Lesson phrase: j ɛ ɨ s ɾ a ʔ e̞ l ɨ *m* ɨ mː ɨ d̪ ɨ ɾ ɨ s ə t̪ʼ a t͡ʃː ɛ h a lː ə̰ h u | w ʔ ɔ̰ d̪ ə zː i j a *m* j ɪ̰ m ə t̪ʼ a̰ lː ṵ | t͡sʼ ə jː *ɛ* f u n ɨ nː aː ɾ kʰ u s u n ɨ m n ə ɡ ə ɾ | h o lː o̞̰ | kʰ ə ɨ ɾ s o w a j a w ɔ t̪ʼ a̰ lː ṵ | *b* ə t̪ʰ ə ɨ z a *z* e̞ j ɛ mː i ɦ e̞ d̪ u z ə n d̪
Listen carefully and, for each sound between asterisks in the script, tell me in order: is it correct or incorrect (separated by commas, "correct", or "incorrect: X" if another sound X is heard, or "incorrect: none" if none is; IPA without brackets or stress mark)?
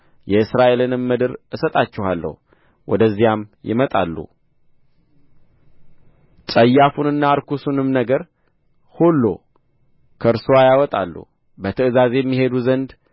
incorrect: n, correct, incorrect: a, correct, correct